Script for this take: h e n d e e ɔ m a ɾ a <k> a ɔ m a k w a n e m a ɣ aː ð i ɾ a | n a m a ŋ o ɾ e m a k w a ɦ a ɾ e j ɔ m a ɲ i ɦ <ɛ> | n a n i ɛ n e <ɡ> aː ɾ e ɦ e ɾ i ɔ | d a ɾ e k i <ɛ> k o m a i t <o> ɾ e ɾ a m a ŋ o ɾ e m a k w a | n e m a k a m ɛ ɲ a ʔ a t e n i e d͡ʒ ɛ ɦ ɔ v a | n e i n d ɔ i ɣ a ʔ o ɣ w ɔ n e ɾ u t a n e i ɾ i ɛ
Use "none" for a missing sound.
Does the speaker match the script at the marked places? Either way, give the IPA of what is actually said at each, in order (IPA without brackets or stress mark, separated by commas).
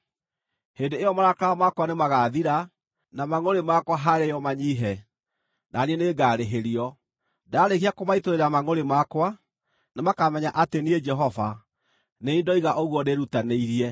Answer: k, ɛ, ɡ, a, o